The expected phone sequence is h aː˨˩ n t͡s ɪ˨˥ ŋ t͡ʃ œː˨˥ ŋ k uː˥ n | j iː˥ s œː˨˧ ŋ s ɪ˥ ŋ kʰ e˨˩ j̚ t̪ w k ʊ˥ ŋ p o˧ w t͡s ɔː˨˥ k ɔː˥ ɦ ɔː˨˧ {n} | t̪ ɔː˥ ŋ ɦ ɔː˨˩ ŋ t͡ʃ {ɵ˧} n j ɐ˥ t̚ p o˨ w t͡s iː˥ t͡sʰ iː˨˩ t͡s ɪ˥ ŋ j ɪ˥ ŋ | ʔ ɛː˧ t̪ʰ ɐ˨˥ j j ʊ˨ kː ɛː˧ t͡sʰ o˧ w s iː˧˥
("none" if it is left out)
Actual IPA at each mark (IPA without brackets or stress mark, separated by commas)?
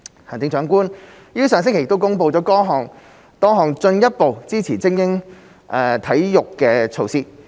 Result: ŋ, ɵ˧